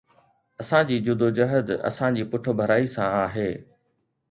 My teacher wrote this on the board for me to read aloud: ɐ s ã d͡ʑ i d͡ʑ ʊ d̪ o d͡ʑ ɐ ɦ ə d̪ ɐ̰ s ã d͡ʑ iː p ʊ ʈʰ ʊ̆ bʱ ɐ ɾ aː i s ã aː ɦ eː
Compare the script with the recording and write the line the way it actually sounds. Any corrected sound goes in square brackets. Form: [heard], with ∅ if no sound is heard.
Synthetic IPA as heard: ɐ s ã d͡ʑ [iː] d͡ʑ ʊ d̪ o d͡ʑ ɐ ɦ ə d̪ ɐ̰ s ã d͡ʑ iː p ʊ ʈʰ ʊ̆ bʱ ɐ ɾ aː i s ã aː ɦ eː